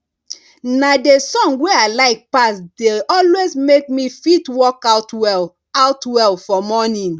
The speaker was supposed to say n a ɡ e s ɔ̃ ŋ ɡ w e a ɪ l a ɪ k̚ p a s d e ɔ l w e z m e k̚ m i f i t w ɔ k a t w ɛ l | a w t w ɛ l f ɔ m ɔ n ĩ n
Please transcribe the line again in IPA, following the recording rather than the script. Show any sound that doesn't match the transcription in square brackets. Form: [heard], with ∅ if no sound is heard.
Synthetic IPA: n a [d] e s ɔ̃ ŋ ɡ w e a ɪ l a ɪ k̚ p a s d e ɔ l w e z m e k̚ m i f i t w ɔ k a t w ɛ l | a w t w ɛ l f ɔ m ɔ n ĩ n